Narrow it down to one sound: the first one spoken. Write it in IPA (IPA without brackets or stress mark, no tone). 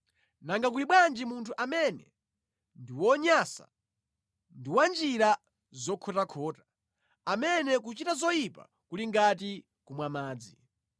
n